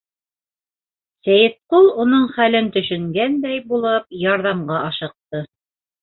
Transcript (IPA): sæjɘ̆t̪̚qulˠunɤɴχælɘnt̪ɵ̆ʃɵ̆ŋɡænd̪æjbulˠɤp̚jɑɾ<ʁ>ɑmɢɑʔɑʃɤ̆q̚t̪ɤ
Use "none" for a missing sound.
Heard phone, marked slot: ð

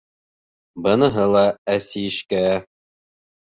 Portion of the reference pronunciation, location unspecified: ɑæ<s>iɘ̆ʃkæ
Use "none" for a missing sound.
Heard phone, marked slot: s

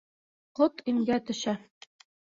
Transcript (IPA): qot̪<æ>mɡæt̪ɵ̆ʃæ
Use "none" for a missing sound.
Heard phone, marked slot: i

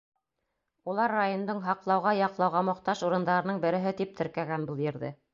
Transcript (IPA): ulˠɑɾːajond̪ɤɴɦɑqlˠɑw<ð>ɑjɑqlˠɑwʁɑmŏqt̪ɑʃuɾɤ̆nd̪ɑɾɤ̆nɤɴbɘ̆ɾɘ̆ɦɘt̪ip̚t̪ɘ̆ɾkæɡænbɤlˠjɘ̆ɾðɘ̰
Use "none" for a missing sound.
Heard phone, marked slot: ʁ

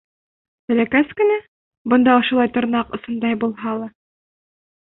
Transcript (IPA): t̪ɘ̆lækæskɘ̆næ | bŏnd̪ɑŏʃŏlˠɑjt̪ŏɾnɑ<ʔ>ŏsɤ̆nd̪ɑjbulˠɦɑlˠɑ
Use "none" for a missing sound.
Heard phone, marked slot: q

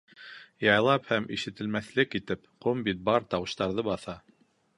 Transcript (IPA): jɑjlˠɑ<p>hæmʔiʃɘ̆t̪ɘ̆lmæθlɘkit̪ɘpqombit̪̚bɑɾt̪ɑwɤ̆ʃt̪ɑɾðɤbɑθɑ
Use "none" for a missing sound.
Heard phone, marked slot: p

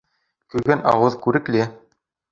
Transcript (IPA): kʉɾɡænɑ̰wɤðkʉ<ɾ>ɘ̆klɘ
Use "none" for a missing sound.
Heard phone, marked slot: ɾ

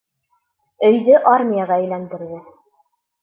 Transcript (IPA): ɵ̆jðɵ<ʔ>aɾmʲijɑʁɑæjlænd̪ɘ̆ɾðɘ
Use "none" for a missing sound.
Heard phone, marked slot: ʔ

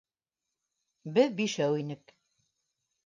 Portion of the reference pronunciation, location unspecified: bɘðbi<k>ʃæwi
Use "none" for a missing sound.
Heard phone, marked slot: none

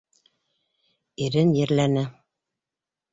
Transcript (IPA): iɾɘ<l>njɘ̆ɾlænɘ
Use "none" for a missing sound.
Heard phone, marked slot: none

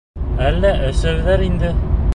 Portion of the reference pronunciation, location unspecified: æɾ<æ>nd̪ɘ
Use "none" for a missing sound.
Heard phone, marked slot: i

